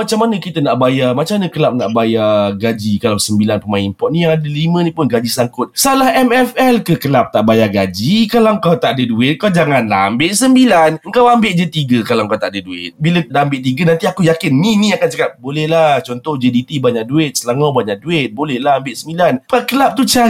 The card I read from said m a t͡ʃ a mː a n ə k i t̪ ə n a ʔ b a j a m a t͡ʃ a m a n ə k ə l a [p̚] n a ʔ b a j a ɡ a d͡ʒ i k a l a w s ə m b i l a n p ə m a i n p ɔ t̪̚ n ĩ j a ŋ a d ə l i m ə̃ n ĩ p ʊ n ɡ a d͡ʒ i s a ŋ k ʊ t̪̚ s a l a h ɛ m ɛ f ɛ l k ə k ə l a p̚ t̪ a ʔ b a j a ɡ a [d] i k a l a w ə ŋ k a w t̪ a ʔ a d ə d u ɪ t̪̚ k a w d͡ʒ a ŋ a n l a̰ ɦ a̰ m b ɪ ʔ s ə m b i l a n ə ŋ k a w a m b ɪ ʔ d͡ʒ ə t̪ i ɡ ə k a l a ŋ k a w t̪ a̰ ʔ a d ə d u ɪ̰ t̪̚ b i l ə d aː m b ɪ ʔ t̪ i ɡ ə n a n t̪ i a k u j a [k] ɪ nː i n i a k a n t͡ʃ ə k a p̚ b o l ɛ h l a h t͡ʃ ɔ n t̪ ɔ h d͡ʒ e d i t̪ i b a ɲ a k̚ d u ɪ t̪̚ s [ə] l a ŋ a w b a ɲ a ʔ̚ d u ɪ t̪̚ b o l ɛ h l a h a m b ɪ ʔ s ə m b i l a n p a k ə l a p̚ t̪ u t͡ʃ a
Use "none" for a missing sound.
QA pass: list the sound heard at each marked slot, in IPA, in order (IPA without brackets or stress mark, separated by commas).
p̚, d͡ʒ, k, ə